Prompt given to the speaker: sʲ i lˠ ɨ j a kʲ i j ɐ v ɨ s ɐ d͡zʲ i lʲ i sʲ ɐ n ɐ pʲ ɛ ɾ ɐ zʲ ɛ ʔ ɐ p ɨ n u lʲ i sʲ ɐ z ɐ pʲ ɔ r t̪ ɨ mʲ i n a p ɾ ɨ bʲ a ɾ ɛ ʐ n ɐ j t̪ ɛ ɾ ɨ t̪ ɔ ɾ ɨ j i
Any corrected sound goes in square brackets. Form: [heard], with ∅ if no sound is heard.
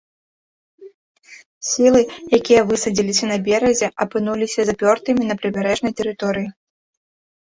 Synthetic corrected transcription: sʲ i lˠ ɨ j a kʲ i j ɐ v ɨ s ɐ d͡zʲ i lʲ i sʲ ɐ n ɐ [bʲ] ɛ ɾ ɐ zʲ ɛ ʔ ɐ p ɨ n u lʲ i sʲ ɐ z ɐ pʲ ɔ r t̪ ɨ mʲ i n [ɐ] p ɾ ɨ bʲ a ɾ ɛ ʐ n ɐ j t̪ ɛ ɾ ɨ t̪ ɔ ɾ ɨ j i